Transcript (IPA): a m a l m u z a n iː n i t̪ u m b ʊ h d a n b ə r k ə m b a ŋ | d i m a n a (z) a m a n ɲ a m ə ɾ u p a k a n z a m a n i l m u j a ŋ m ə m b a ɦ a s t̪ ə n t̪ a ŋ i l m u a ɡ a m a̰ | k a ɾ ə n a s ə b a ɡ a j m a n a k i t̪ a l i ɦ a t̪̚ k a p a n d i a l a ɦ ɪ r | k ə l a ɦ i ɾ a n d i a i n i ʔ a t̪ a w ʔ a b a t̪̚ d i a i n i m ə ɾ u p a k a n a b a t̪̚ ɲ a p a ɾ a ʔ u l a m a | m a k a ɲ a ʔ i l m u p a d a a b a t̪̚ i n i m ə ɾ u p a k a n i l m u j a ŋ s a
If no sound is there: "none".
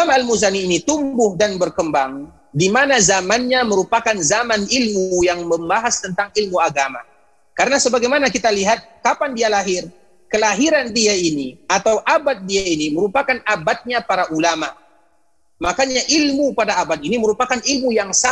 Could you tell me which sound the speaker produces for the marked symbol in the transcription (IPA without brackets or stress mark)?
z